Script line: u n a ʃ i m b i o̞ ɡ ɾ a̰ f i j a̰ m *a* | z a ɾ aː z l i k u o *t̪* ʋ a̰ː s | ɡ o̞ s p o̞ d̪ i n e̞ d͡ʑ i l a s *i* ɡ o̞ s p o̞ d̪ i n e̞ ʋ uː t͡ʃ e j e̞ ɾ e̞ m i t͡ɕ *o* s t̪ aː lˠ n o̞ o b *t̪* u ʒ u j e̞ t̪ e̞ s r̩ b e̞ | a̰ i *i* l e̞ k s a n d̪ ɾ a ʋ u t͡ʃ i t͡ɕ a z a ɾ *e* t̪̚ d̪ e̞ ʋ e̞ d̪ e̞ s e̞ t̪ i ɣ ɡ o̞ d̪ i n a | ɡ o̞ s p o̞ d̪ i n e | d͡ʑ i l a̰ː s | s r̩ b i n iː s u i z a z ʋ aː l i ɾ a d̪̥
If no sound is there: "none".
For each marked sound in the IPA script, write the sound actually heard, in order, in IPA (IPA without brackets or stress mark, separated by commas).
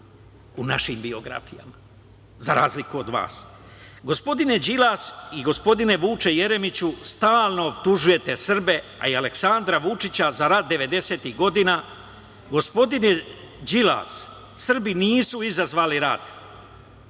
a, d̪, i, u, t̪, a, a